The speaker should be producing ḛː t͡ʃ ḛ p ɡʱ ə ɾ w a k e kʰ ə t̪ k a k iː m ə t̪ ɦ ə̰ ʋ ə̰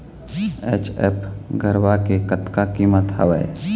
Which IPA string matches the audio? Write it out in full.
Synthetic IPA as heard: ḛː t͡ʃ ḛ p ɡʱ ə ɾ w a k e k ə t̪ k a k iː m ə t̪ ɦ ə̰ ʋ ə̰